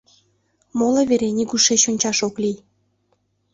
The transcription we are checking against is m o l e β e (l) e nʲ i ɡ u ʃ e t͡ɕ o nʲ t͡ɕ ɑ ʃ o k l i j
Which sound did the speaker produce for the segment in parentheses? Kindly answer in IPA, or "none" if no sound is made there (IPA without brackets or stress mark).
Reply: ɾ